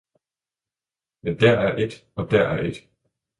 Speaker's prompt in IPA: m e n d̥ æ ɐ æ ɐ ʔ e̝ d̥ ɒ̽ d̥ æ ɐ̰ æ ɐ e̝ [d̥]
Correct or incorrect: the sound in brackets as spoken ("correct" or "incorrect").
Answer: correct